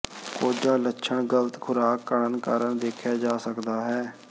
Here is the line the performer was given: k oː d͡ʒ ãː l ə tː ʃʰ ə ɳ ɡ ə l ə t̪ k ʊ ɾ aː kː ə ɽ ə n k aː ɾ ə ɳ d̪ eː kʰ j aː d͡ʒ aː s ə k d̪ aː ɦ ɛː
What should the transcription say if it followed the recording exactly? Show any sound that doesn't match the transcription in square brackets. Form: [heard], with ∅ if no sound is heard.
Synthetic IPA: k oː d͡ʒ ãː l ə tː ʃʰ ə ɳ ɡ ə l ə t̪ [kʰ] ʊ ɾ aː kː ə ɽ ə n k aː ɾ ə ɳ d̪ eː kʰ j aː d͡ʒ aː s ə k d̪ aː ɦ ɛː